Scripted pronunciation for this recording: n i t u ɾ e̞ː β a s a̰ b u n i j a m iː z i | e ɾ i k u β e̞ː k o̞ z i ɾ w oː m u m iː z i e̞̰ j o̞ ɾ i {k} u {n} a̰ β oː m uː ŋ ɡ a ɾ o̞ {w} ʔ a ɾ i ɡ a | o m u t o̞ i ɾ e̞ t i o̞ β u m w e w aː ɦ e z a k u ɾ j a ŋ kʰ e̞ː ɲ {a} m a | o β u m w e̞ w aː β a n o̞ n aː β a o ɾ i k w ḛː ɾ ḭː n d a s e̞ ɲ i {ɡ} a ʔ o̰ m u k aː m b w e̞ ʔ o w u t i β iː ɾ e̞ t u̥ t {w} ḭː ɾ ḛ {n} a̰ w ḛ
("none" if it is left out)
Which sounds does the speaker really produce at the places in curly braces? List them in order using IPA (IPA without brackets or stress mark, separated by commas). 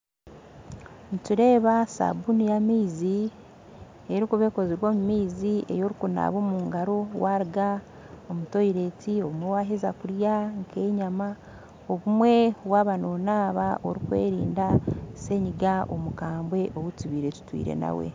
k, n, w, a, ɡ, w, n